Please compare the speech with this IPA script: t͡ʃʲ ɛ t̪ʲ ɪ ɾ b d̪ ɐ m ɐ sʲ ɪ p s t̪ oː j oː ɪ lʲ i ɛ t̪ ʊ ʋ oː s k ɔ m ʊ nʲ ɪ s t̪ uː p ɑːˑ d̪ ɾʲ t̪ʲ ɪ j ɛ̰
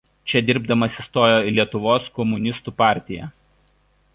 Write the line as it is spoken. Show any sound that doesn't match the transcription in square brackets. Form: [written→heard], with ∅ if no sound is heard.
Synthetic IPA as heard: t͡ʃʲ ɛ [t̪ʲ→d̪ʲ] ɪ ɾ b d̪ ɐ m ɐ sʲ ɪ [p→∅] s t̪ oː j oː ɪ lʲ i ɛ t̪ ʊ ʋ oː s k ɔ m ʊ nʲ ɪ s t̪ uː p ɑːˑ [d̪→∅] ɾʲ t̪ʲ ɪ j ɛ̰